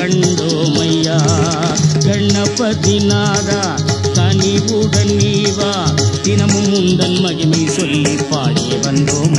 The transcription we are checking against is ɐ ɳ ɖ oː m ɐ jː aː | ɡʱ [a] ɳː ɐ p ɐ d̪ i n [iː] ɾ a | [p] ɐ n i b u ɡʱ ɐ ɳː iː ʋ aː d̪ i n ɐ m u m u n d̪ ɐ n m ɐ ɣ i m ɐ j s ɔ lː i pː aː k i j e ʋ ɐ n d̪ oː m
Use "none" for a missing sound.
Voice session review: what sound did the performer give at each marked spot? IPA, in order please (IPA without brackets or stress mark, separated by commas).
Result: ɐ, aː, k